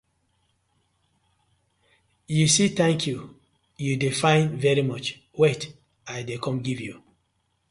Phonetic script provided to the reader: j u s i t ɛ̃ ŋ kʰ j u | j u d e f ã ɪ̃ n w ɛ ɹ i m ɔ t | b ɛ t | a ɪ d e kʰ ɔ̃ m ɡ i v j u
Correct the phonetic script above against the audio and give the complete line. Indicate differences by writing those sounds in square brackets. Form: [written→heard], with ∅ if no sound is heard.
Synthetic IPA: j u s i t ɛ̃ ŋ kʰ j u | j u d e f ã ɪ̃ n [w→v] ɛ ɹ i m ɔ [t→t͡ʃ] | [b→w] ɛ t | a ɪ d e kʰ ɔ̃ m ɡ i v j u